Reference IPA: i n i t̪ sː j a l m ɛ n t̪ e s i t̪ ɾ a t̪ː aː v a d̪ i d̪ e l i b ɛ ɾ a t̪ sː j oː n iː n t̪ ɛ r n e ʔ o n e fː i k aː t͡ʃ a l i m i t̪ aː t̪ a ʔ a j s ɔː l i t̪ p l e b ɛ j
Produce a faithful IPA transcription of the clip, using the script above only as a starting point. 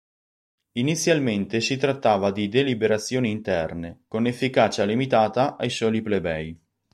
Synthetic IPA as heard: i n i t̪ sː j a l m e n t̪ e s i t̪ ɾ a t̪ː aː v a d̪ i d̪ e l i b e ɾ a t̪ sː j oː n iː n t̪ ɛ r n e k o n e fː i k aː t͡ʃ a l i m i t̪ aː t̪ a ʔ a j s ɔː l i p l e b ɛ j